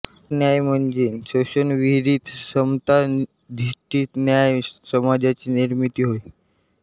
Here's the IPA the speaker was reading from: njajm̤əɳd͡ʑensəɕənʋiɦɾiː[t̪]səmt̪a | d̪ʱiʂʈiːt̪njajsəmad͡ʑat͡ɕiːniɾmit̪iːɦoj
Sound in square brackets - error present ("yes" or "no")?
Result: no